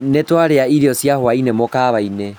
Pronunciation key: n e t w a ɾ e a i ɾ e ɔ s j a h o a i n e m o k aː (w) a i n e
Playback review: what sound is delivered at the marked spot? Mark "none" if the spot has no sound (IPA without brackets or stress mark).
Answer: β